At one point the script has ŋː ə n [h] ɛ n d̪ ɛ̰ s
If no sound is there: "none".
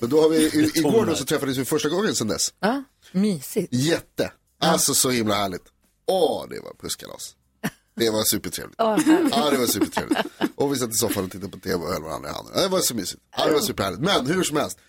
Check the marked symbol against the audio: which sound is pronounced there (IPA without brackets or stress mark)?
s